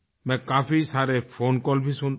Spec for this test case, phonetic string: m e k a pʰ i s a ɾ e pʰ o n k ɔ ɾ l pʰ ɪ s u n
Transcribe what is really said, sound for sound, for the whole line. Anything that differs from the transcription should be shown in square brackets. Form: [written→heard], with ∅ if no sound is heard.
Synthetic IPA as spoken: m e k a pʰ i s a ɾ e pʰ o n k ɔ [ɾ→∅] l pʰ [ɪ→i] s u n